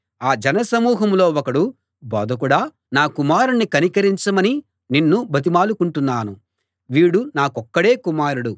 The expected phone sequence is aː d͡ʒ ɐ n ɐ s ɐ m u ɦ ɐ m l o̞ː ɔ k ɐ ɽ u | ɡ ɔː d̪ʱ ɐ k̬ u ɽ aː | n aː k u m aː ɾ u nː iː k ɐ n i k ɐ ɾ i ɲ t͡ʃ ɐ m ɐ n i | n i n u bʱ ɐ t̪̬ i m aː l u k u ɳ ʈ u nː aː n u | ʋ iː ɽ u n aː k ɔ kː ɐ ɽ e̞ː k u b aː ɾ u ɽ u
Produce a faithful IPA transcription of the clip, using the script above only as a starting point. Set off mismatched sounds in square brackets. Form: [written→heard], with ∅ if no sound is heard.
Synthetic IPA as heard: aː d͡ʒ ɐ n ɐ s ɐ m [u→uː] ɦ ɐ m l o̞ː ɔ k ɐ ɽ u | [ɡ→b] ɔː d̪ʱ ɐ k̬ u ɽ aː | n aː k u m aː ɾ u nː [iː→i] k ɐ n i k ɐ ɾ i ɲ t͡ʃ ɐ m ɐ n i | n i [n→nː] u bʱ ɐ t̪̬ i m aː l u k u ɳ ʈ u nː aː n u | ʋ iː ɽ u n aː k ɔ kː ɐ ɽ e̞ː k u [b→m] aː ɾ u ɽ u